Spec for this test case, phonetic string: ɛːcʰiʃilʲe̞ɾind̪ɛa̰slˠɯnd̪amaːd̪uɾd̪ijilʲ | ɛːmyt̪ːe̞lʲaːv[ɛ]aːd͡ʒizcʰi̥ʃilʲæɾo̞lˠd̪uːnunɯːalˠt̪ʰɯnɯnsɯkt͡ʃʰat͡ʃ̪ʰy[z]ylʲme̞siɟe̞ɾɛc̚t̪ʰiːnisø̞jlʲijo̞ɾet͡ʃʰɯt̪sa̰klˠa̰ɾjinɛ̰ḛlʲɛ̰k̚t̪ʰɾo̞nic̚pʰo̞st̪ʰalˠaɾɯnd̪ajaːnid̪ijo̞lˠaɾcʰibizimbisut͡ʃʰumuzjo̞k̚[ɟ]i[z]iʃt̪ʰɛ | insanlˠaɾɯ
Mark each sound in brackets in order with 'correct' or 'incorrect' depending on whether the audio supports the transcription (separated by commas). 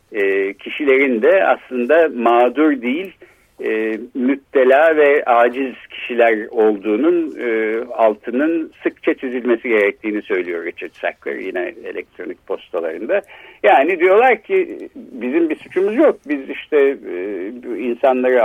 correct, correct, incorrect, correct